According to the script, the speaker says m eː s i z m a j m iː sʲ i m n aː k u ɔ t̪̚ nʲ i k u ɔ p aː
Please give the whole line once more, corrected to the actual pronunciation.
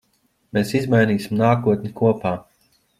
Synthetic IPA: m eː s i z m a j n iː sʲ i m n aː k u ɔ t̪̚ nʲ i k u ɔ p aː